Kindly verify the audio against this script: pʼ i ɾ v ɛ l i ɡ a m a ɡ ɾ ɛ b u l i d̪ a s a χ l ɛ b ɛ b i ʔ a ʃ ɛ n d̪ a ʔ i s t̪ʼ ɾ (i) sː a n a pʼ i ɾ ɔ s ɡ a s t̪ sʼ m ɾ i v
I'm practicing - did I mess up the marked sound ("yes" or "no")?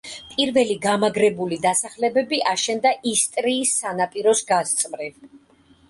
yes